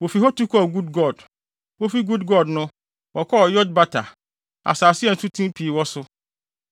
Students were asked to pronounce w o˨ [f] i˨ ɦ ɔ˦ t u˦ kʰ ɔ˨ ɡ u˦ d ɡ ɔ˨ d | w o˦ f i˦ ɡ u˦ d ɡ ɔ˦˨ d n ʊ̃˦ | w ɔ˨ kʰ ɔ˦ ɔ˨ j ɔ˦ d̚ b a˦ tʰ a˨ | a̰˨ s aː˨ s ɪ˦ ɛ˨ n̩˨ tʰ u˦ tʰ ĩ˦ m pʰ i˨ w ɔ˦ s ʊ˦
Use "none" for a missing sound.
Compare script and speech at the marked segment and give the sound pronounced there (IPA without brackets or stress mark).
f